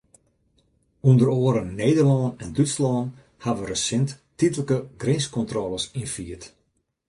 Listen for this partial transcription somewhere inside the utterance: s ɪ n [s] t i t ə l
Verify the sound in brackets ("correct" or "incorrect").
incorrect